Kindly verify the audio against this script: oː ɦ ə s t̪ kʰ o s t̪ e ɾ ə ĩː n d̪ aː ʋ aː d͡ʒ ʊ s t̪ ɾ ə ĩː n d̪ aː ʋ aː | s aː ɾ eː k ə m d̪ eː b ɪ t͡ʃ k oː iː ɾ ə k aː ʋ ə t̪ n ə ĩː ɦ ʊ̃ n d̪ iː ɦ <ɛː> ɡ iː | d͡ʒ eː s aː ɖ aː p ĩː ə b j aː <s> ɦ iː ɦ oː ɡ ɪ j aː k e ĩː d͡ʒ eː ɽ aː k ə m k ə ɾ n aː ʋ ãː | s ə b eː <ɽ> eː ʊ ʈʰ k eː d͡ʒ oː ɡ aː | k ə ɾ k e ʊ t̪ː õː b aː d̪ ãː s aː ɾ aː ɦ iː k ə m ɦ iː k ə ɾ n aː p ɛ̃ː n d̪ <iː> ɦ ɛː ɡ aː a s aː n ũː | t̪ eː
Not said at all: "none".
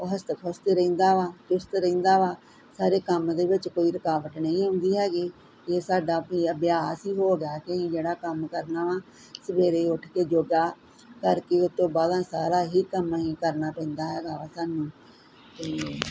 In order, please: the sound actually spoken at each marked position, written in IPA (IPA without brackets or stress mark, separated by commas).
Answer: ɛː, s, ɾ, aː